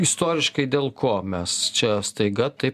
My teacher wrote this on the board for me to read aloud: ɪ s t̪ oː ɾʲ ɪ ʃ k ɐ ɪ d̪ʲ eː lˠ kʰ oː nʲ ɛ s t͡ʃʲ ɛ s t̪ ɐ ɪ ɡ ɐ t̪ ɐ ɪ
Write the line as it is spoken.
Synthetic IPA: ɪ s t̪ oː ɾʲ ɪ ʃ k ɐ ɪ d̪ʲ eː lˠ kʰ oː mʲ ɛ s t͡ʃʲ ɛ s t̪ ɐ ɪ ɡ ɐ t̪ ɐ ɪ